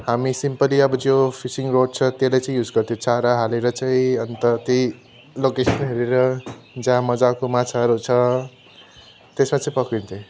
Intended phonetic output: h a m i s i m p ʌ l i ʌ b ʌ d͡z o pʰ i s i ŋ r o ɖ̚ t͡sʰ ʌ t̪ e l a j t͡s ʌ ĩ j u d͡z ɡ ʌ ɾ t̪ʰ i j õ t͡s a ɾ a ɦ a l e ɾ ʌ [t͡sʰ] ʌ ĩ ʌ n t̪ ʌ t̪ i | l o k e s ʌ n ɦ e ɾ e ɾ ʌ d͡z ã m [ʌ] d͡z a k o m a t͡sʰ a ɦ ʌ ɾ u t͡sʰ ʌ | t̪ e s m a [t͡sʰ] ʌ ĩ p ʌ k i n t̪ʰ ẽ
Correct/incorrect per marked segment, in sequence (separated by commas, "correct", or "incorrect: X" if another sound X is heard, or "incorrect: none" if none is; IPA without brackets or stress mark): incorrect: t͡s, correct, incorrect: t͡s